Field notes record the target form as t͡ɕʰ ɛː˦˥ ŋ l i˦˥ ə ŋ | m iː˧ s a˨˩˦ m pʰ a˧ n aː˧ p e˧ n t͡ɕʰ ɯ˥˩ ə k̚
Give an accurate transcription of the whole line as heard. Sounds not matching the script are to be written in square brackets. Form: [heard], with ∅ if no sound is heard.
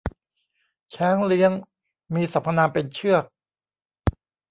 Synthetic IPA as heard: t͡ɕʰ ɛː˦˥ ŋ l i˦˥ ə ŋ | m iː˧ s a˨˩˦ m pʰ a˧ n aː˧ p e˧ n t͡ɕʰ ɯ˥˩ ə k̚